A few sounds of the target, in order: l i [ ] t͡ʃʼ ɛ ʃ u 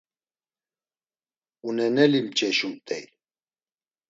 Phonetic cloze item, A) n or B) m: B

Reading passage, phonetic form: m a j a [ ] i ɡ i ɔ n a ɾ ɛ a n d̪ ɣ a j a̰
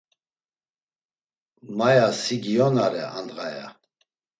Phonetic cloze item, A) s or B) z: A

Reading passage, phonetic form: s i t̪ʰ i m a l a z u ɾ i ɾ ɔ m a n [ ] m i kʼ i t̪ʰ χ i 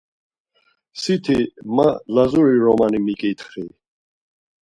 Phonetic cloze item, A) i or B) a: A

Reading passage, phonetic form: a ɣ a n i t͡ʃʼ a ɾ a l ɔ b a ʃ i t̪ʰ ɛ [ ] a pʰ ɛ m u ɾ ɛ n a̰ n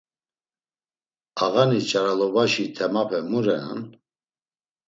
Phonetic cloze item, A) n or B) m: B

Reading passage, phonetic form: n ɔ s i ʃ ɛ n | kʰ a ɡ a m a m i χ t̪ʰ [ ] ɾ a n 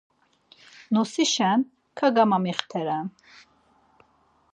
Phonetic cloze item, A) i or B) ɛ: B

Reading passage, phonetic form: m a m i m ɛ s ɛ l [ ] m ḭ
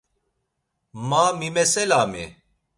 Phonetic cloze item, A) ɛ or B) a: B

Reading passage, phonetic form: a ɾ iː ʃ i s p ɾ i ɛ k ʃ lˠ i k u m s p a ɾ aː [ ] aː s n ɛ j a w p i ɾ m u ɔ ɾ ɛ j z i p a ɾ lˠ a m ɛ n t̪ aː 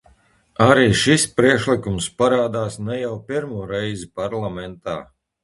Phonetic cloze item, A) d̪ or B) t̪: A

